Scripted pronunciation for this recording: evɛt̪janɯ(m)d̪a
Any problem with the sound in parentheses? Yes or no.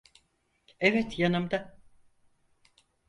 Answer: no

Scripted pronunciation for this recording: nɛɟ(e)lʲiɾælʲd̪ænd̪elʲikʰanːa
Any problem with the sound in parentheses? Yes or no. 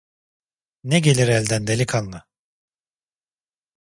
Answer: no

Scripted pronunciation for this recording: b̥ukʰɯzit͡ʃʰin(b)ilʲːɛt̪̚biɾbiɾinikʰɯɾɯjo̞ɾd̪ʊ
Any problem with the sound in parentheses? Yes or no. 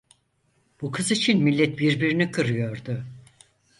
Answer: yes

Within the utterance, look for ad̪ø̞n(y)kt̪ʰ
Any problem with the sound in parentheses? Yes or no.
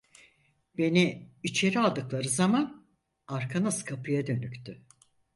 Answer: no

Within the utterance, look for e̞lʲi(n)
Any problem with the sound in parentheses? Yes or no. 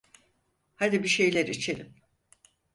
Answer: yes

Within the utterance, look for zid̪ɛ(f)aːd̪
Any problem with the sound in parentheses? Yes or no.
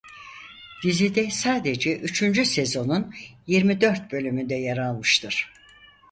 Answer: yes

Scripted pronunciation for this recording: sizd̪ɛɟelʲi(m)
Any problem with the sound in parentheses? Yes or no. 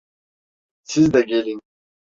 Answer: yes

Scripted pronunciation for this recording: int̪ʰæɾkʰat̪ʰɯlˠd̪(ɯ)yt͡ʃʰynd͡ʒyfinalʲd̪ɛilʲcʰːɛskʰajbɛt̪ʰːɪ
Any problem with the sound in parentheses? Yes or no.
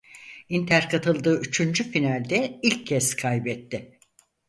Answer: yes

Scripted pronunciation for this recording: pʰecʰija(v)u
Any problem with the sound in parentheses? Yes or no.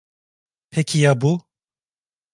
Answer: yes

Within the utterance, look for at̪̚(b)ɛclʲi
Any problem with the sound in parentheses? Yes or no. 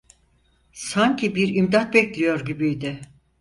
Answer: no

